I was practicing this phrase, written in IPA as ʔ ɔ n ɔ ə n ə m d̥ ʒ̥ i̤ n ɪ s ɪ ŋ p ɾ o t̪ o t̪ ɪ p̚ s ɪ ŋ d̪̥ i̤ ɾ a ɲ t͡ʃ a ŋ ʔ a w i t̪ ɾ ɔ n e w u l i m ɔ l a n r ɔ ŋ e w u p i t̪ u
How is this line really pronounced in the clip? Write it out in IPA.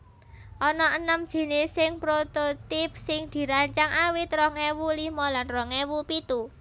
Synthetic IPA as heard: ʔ ɔ n ɔ ə n ə m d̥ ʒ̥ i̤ n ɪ s ɪ ŋ p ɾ o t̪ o t̪ ɪ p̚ s ɪ ŋ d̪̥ i̤ ɾ a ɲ t͡ʃ a ŋ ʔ a w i t̪ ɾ ɔ ŋ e w u l i m ɔ l a n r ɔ ŋ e w u p i t̪ u